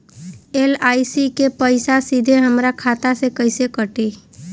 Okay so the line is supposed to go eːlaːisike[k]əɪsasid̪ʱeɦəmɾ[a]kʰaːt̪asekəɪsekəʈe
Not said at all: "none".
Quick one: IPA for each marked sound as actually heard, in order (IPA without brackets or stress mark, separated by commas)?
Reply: p, a